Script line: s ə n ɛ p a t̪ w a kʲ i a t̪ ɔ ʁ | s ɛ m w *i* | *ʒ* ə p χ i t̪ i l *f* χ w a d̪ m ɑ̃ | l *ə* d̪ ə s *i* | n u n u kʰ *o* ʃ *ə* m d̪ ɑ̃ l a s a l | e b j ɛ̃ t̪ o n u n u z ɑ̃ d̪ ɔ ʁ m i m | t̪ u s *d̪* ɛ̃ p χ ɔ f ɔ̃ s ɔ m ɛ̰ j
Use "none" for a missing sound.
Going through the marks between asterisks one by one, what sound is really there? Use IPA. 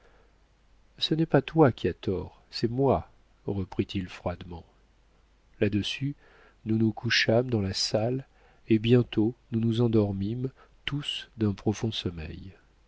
a, ʁ, f, a, y, u, a, d̪

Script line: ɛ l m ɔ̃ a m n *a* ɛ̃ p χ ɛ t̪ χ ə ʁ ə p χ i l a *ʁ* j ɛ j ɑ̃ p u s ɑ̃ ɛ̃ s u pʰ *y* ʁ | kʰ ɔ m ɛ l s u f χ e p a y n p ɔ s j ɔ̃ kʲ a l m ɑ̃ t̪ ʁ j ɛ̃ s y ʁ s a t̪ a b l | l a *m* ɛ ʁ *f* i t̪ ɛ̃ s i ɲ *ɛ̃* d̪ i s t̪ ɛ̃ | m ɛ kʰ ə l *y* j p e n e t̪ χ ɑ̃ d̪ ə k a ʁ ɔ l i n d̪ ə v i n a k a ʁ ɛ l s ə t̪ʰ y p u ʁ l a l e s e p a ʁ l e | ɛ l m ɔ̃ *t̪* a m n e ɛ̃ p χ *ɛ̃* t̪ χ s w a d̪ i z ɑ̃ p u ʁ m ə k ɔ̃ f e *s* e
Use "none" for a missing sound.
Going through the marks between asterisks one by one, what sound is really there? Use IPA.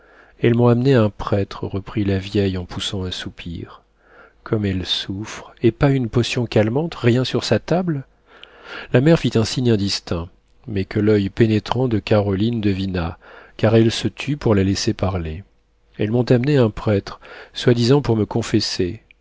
e, v, i, m, f, ɛ̃, œ, t̪, ɛ, s

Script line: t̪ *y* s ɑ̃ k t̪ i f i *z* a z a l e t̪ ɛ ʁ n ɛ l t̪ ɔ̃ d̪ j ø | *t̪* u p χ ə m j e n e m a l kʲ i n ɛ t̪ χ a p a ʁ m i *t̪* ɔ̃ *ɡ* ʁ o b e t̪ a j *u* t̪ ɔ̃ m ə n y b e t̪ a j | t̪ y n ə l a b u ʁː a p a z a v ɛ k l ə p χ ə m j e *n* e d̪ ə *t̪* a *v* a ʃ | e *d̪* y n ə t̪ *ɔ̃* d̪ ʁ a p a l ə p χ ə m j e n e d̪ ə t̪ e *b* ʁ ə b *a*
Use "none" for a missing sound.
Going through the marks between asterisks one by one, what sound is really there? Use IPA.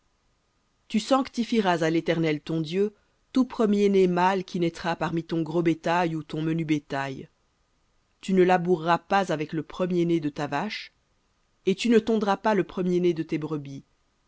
y, ʁ, t̪, t̪, ɡ, u, n, t̪, v, t̪, ɔ̃, b, i

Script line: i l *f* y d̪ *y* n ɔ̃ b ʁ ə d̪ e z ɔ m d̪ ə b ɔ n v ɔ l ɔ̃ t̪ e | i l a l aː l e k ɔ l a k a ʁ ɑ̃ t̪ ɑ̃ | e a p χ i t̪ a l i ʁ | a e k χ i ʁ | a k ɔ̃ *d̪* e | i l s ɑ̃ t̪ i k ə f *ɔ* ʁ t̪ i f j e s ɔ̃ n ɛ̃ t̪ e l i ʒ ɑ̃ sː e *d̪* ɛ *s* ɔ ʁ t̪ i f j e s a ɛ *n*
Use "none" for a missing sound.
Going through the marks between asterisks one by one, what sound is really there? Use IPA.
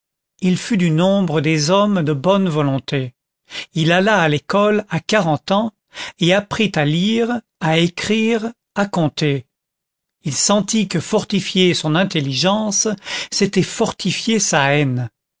f, y, t̪, ɔ, t̪, f, n

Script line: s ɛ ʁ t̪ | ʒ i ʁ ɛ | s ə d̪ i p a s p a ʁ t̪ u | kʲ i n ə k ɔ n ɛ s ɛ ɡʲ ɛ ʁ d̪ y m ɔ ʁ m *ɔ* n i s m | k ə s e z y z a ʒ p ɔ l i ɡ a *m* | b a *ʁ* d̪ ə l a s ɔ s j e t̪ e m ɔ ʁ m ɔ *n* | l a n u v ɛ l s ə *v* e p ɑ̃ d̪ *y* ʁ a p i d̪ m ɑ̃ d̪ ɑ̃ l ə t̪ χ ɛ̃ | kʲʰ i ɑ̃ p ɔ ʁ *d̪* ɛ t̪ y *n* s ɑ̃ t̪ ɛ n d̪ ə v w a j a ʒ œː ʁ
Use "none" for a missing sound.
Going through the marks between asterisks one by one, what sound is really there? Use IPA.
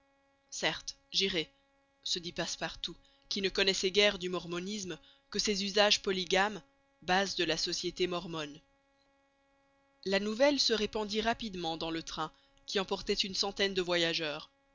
ɔ, m, z, n, ʁ, i, t̪, n

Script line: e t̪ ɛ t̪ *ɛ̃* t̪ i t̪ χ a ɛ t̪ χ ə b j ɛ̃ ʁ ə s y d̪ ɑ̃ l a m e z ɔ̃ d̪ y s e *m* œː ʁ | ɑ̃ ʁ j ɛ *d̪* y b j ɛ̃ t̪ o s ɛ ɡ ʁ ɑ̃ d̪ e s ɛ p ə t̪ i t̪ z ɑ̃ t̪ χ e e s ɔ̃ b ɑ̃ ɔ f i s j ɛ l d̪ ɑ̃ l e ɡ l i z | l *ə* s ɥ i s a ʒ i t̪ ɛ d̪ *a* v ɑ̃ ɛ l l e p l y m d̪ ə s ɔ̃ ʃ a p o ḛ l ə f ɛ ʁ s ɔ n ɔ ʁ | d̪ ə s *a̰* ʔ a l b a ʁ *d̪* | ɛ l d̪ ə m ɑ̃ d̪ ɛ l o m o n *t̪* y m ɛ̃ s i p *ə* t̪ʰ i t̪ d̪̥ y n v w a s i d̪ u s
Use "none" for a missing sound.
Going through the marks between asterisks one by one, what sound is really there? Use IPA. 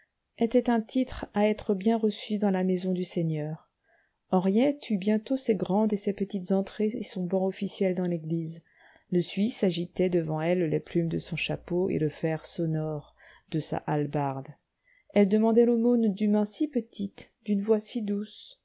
ɛ̃, ɲ, t̪, ə, ə, a̰, d̪, d̪, ə

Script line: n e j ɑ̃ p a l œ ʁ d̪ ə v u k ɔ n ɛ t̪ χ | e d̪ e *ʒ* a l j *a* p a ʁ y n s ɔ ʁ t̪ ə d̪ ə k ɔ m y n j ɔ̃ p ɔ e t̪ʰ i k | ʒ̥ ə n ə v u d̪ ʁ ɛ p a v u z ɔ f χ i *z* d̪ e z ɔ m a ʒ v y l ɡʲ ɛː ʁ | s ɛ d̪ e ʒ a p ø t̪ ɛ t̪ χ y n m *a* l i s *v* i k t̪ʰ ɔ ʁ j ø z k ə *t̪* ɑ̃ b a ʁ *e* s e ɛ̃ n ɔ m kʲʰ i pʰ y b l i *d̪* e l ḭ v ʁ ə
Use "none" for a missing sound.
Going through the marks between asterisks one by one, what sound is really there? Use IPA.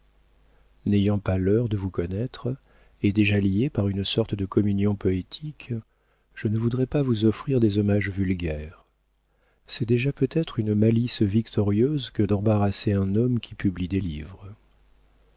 ʒ, e, ʁ, a, v, d̪, a, d̪

